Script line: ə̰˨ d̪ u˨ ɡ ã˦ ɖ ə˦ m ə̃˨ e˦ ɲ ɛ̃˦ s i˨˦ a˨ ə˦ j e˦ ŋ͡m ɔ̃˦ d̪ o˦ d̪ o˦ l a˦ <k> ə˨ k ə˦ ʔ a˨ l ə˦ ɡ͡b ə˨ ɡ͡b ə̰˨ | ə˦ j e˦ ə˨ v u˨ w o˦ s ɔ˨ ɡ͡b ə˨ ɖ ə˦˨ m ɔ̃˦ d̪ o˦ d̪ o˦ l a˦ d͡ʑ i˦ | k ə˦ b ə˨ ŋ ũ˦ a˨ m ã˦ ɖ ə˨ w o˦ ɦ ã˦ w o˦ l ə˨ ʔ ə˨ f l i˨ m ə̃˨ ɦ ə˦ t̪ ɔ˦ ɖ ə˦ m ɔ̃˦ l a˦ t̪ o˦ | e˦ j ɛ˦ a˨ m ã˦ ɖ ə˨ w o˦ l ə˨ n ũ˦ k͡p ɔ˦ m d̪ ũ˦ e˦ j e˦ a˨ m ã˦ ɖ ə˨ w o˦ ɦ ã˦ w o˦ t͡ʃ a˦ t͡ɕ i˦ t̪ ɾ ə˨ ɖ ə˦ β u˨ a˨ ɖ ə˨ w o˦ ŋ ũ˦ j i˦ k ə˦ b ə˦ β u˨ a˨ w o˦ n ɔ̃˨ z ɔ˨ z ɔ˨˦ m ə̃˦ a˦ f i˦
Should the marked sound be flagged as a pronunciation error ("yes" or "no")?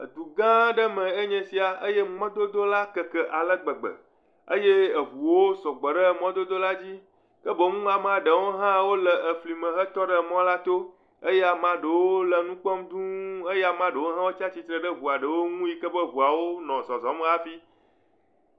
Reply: no